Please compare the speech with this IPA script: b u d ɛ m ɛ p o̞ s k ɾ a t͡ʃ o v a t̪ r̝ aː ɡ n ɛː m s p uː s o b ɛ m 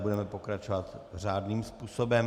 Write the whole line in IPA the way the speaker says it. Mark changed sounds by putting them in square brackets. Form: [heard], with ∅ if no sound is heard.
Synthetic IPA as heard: b u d ɛ m ɛ p o̞ [∅] k ɾ a t͡ʃ o v a t̪ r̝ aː [d] n [iː] m s p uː s o b ɛ m